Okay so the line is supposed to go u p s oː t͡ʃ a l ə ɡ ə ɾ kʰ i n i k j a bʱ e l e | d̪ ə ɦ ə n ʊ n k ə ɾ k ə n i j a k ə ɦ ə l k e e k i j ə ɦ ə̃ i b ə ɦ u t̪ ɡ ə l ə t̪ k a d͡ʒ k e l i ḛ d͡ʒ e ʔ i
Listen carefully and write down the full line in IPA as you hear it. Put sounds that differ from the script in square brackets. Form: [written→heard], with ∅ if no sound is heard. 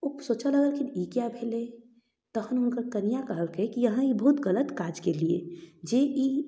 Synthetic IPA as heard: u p s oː t͡ʃ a l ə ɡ ə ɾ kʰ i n i k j a bʱ e l e | [d̪→t̪] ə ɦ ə n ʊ n k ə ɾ k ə n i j a k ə ɦ ə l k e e k i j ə ɦ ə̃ i b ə ɦ u t̪ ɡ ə l ə t̪ k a d͡ʒ k e l i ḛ d͡ʒ e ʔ i